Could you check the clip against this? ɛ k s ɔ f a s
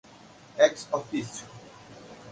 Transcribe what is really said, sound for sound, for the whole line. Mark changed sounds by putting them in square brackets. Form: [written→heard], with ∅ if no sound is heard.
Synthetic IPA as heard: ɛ k s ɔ f [a→i] s